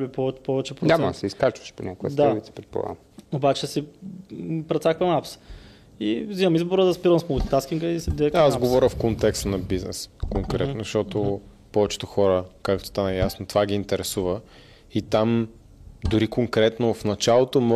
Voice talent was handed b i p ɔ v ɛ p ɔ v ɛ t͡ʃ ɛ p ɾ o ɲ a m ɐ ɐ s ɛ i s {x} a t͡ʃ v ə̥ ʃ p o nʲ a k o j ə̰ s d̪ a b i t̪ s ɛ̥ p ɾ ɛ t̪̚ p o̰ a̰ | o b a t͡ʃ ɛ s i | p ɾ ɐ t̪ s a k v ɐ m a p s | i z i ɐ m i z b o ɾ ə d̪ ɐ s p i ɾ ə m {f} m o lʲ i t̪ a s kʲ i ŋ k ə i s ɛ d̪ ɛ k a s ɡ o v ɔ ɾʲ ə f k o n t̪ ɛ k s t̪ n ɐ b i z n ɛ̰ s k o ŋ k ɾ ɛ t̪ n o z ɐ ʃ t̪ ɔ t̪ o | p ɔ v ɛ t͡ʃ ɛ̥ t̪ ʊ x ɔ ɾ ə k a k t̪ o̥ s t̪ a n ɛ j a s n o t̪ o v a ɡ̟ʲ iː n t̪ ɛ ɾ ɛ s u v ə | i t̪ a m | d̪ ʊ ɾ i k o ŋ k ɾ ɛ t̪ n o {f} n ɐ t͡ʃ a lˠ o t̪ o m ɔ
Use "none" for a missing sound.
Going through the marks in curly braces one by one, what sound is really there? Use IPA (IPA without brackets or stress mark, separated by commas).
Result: k, s, f